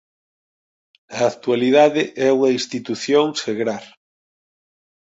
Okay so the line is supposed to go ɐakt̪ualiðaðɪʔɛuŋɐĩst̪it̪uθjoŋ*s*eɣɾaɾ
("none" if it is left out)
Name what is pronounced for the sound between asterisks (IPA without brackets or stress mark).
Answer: s